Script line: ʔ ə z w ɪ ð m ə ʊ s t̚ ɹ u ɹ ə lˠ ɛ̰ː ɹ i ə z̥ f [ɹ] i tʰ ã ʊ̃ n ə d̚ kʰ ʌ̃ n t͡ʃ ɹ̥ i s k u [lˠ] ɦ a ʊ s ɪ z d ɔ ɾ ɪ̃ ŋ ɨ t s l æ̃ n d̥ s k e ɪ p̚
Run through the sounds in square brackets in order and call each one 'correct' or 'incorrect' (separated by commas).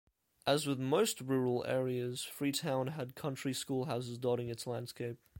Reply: correct, correct